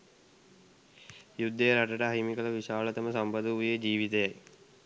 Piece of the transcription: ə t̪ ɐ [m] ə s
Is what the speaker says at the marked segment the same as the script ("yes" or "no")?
yes